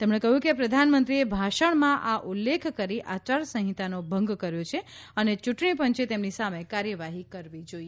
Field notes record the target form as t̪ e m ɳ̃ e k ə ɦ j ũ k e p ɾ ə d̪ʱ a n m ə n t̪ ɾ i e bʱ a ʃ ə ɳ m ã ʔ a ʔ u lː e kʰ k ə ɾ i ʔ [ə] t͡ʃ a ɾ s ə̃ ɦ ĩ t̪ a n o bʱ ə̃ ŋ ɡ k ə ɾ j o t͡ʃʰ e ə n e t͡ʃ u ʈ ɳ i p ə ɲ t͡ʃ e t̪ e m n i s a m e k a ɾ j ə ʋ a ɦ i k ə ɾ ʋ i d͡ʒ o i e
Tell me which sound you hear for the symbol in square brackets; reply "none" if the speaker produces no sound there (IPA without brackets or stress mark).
a